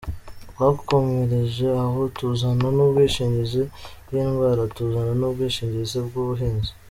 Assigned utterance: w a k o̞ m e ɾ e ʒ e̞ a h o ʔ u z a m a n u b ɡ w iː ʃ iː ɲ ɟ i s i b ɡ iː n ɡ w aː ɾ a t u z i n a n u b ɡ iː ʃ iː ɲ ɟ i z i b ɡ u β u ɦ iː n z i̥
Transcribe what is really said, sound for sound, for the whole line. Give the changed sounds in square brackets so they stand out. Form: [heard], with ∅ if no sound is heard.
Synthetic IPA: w a k o̞ m e ɾ e ʒ e̞ a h o [t] u z a [n] a n u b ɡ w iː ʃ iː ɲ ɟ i [z] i b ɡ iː n ɡ w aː ɾ a t u z [a] n a n u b ɡ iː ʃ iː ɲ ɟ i z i b ɡ u β u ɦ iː n z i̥